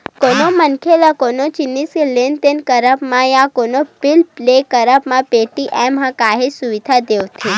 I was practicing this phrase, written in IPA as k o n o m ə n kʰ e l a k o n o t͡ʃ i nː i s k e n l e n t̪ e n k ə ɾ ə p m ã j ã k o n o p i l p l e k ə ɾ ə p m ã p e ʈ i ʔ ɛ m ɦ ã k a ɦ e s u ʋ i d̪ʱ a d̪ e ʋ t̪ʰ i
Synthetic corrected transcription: k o n o m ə n kʰ e l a k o n o t͡ʃ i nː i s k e l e n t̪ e n k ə ɾ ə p m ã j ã k o n o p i l p l e k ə ɾ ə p m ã p e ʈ i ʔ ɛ m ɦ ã k a ɦ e s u ʋ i d̪ʱ a d̪ e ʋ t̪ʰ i